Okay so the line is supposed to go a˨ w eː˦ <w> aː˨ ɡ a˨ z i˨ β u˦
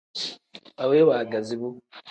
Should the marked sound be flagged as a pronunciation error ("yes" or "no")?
no